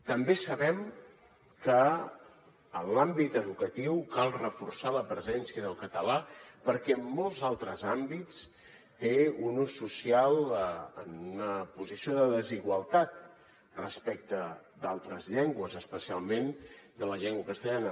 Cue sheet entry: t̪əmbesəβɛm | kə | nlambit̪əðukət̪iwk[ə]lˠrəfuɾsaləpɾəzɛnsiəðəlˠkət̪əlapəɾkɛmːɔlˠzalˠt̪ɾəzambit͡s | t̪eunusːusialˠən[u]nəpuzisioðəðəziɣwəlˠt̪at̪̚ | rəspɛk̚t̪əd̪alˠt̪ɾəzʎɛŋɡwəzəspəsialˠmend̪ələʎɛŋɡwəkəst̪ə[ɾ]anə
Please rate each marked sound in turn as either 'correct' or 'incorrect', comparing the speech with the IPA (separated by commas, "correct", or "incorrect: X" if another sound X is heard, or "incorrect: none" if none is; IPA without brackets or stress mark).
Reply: incorrect: a, correct, incorrect: ʎ